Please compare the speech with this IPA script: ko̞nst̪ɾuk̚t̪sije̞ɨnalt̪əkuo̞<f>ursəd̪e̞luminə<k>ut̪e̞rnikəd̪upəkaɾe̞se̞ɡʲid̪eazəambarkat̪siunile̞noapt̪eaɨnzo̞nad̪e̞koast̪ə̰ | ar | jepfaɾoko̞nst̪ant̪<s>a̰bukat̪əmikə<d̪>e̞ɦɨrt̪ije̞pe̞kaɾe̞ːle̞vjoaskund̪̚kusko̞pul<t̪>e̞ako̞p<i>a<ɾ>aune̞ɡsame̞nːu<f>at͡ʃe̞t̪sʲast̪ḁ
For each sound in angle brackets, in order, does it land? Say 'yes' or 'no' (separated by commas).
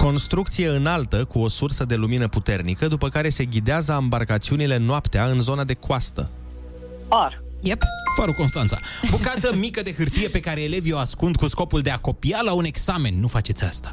no, no, yes, yes, no, yes, no, yes